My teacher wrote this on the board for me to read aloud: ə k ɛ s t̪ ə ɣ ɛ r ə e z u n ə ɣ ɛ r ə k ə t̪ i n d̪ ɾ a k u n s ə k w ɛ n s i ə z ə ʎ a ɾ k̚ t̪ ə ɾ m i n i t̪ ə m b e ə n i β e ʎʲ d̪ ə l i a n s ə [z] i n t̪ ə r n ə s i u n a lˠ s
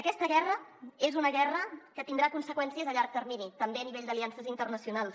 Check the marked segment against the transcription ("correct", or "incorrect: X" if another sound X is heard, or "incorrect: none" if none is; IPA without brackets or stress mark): correct